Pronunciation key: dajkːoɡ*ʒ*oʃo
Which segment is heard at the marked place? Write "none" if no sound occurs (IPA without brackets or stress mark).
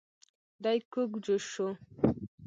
d͡ʒ